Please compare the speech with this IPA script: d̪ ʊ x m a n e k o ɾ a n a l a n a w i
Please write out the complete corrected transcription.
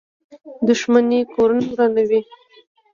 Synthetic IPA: d̪ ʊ ʃ m a n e k o ɾ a n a ɾ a n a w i